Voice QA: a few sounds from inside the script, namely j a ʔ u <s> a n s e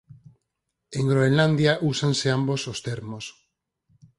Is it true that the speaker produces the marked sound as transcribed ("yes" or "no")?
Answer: yes